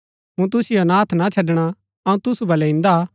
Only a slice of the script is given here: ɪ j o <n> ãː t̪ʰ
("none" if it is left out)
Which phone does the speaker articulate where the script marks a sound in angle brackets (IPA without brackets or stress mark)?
n